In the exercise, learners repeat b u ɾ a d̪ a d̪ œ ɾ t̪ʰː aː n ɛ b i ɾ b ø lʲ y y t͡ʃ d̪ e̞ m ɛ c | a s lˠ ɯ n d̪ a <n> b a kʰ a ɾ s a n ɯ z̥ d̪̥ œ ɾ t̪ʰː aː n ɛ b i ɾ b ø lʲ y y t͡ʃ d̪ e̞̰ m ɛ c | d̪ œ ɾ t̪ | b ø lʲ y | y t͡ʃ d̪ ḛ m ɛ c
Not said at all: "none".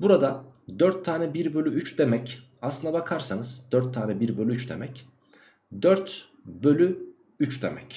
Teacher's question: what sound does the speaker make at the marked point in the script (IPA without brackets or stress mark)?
none